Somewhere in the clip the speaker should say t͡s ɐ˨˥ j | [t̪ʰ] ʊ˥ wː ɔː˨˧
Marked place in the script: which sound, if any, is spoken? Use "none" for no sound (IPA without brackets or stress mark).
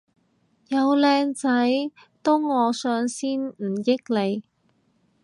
t̪